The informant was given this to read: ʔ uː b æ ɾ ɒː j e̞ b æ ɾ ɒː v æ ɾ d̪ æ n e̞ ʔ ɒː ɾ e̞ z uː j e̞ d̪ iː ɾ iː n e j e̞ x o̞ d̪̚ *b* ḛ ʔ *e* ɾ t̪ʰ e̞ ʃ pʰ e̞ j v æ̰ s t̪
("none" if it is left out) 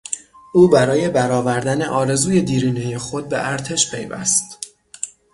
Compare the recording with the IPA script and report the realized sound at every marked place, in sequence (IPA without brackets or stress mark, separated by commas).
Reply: b, æ